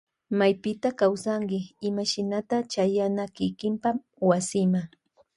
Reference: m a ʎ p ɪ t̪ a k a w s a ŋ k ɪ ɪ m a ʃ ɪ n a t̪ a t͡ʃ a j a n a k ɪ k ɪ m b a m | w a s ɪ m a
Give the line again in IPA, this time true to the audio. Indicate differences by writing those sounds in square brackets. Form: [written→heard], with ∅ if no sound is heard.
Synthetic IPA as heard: m a [ʎ→j] p ɪ t̪ a k a w s a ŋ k ɪ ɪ m a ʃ ɪ n a t̪ a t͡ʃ a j a n a k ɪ k ɪ m [b→p] a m | w a s ɪ m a